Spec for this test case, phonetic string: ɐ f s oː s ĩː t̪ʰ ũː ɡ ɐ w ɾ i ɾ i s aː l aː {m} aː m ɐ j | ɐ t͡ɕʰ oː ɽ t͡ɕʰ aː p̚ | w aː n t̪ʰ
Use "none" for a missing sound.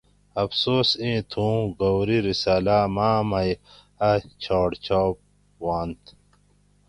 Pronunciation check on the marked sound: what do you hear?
m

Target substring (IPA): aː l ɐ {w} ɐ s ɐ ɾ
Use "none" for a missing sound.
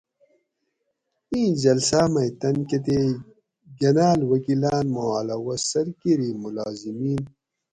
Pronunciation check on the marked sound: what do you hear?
w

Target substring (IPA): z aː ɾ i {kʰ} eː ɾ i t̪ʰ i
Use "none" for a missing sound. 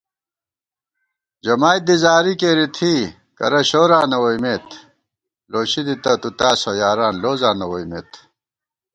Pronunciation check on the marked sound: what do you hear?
k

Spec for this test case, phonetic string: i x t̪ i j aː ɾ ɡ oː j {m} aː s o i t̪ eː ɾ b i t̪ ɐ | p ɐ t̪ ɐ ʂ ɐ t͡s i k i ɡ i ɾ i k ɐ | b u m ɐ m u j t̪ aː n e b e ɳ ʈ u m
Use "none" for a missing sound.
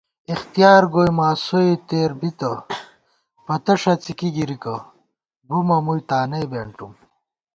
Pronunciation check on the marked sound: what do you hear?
m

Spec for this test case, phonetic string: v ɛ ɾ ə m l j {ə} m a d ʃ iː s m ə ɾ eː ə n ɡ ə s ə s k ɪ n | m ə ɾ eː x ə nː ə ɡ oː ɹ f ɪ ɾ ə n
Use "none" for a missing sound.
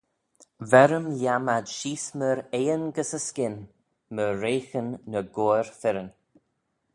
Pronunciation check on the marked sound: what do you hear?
a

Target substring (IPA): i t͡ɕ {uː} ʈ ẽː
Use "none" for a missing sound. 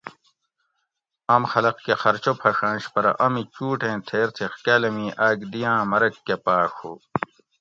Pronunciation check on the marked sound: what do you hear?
uː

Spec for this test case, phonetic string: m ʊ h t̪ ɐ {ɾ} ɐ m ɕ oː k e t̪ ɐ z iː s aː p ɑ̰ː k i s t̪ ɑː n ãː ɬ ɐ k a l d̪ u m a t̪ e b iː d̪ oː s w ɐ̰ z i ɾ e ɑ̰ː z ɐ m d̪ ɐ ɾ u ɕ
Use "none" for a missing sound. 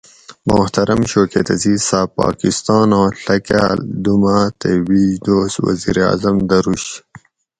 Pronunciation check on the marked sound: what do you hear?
ɾ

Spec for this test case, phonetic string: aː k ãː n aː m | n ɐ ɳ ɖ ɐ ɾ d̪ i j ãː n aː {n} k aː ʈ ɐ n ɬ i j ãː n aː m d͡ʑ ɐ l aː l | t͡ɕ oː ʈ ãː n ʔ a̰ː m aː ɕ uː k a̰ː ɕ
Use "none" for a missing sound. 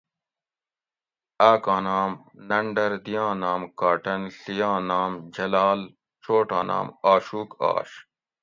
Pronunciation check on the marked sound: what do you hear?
m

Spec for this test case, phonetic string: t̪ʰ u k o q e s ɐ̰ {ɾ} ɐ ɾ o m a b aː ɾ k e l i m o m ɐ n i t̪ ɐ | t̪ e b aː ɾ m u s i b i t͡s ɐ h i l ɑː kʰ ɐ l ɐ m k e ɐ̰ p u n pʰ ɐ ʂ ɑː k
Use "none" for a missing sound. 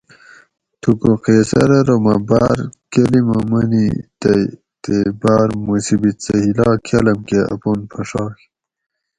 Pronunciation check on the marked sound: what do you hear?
ɾ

